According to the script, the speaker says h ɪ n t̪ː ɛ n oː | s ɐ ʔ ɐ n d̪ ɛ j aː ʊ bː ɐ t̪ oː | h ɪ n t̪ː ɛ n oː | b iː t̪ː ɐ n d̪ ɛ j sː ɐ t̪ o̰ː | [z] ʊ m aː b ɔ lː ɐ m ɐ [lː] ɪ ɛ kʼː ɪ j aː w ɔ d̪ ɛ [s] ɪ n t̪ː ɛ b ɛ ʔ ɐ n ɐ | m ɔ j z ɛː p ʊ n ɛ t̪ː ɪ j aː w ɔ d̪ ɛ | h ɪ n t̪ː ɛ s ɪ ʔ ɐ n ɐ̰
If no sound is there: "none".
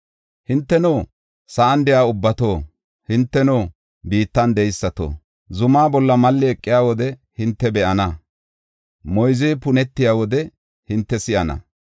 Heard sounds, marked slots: z, lː, h

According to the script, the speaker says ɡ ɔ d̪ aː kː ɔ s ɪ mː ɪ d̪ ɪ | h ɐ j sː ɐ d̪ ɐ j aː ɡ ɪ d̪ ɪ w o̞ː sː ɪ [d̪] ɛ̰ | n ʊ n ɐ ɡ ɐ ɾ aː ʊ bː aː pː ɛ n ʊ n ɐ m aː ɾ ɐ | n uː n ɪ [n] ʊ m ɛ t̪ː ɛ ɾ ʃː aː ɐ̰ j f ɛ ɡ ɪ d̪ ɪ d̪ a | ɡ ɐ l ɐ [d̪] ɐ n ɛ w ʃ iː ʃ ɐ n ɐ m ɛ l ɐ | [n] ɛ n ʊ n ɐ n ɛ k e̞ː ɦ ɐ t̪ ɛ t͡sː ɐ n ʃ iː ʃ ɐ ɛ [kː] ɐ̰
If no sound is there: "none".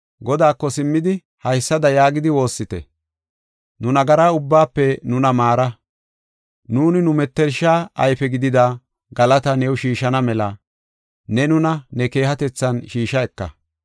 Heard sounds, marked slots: t̪, n, t̪, n, kː

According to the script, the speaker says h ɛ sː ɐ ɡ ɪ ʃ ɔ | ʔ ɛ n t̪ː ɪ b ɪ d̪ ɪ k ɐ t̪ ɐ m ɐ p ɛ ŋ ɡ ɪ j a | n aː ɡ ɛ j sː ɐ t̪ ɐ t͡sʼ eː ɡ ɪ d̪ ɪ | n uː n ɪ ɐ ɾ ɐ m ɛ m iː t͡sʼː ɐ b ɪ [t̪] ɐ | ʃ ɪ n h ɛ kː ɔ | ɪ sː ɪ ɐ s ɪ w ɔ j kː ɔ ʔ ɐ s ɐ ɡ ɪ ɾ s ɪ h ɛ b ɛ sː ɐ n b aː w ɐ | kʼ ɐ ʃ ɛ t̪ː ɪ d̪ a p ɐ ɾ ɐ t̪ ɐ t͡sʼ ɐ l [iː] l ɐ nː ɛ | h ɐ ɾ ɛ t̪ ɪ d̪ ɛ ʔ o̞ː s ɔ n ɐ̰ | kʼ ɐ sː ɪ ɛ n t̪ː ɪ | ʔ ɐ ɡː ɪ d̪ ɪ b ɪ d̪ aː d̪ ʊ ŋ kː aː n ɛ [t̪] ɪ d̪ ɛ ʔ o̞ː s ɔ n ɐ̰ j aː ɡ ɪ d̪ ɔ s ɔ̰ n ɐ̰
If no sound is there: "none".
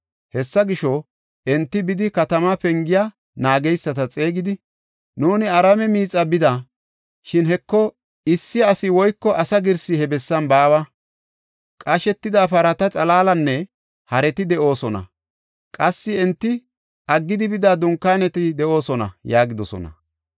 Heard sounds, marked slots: d̪, aː, t̪

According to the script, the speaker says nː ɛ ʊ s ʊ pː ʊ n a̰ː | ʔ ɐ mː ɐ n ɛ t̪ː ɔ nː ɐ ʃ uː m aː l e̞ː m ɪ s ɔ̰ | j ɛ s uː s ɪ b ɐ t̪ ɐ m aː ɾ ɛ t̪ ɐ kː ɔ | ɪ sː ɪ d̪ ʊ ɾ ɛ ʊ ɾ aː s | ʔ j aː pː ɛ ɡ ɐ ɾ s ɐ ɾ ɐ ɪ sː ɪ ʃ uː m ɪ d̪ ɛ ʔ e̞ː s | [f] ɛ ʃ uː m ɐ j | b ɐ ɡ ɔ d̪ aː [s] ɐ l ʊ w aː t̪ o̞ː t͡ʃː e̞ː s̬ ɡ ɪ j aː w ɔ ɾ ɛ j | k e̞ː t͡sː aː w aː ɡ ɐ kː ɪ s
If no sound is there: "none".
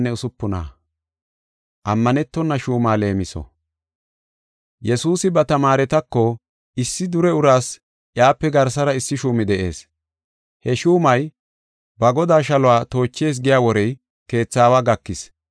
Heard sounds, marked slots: h, ʃ

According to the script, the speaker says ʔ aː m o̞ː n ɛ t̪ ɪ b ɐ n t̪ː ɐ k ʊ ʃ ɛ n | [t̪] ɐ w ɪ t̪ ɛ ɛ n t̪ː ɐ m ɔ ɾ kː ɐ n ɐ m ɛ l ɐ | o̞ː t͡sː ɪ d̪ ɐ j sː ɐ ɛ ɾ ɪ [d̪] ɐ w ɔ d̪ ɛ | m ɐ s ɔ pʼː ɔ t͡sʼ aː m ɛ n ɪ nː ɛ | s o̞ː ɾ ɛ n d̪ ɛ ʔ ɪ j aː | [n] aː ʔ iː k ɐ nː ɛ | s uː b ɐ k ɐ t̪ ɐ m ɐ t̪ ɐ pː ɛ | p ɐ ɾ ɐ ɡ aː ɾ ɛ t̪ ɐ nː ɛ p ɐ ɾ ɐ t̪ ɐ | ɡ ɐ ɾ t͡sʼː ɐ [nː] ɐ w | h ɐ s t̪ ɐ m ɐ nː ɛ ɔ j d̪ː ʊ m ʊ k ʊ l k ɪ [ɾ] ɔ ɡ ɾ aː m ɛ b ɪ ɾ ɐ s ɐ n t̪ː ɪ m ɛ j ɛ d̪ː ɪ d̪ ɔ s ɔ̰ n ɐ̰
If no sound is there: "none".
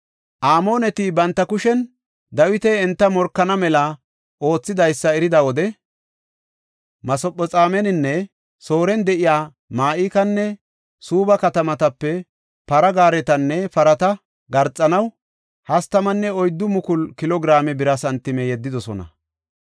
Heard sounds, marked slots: d̪, d̪, m, n, l

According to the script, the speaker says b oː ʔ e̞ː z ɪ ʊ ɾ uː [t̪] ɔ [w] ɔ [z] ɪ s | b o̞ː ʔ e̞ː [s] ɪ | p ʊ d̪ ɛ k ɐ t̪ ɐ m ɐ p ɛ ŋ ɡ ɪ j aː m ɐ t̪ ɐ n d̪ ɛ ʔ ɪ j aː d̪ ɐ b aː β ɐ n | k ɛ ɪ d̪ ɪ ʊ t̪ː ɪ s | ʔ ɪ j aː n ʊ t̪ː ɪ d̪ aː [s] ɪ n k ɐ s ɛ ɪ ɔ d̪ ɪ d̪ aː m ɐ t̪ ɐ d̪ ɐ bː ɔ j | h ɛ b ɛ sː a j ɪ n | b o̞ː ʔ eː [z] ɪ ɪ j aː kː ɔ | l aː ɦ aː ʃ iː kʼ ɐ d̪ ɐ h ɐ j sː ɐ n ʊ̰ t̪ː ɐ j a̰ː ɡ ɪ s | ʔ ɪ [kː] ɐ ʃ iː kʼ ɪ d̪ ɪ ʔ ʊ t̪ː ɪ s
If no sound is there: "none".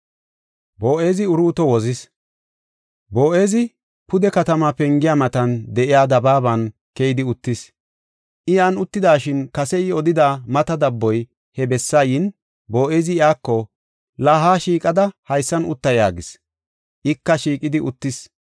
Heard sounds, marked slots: t̪, w, z, z, ʃ, z, kː

